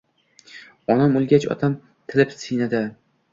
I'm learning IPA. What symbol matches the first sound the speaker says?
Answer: ɒ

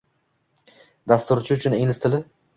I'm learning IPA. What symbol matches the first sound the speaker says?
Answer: d̪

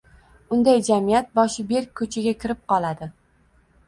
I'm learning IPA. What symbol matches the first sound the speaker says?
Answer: ʊ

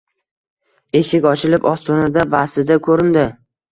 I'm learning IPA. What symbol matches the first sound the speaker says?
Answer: e̞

